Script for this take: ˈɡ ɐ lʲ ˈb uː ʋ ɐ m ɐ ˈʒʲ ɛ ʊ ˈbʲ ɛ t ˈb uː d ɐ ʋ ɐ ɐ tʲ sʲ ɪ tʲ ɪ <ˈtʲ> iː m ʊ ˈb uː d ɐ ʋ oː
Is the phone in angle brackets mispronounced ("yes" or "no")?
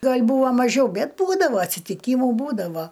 yes